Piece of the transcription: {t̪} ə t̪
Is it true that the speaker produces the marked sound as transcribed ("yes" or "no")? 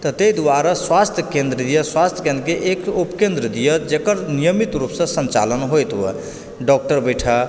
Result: yes